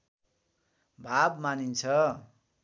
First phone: bʱ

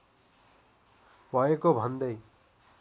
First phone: bʱ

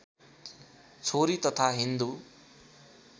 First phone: t͡sʰ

